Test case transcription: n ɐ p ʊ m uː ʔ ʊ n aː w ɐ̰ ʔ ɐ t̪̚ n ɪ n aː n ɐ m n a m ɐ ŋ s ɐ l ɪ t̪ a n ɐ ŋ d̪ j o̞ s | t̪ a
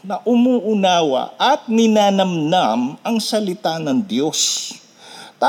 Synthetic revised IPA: n ɐ ʔ ʊ m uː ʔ ʊ n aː w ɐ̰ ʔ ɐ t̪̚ n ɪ n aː n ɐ m n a m ɐ ŋ s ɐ l ɪ t̪ a n ɐ ŋ d̪ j o̞ s | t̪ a